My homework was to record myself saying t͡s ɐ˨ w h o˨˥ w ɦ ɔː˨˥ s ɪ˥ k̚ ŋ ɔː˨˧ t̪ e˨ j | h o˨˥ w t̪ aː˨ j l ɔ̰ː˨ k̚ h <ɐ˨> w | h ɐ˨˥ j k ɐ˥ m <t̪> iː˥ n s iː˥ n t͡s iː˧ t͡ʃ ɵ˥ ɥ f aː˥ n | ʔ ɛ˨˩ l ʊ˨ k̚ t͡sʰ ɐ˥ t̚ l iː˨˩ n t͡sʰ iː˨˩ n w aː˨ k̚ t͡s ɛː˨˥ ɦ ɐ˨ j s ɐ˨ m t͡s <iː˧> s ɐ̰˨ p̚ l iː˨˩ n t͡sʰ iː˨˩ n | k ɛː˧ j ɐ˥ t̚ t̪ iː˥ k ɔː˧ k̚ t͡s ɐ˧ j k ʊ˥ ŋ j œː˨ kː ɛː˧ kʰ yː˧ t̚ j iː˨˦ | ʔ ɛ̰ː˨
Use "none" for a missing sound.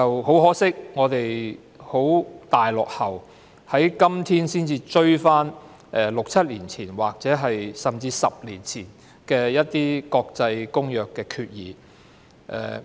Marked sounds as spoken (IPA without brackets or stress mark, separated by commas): ɐ˨, t̪ʰ, iː˧